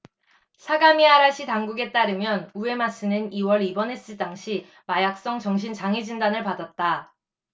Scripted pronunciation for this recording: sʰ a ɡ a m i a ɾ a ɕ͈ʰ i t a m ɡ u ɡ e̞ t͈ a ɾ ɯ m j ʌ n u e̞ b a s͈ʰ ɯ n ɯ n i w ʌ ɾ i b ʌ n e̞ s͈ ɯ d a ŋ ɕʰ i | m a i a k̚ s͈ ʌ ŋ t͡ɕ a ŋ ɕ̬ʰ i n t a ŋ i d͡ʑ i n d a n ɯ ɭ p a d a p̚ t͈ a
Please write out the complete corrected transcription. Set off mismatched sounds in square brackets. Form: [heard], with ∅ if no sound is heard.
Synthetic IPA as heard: sʰ a ɡ a m i a ɾ a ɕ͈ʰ i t a [ŋ] ɡ u ɡ e̞ t͈ a ɾ ɯ m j ʌ n u e̞ [m] a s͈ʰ ɯ n ɯ n i w ʌ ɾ i b ʌ n e̞ s͈ ɯ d a ŋ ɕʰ i | m a [j] a k̚ s͈ ʌ ŋ t͡ɕ [ʌ] ŋ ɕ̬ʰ i n [t͡ɕ] a ŋ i d͡ʑ i n d a n ɯ ɭ p a d a [t̚] t͈ a